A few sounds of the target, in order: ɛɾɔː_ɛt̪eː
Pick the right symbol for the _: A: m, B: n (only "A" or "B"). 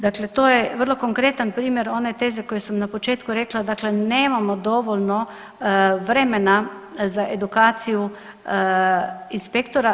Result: B